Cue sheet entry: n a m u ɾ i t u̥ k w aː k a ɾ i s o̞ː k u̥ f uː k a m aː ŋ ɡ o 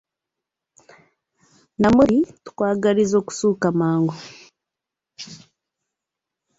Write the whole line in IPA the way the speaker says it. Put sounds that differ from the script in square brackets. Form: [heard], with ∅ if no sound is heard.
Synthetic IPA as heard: n a m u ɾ i t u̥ k w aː [ɡ] a ɾ i [z] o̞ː k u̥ [s] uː k a m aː ŋ ɡ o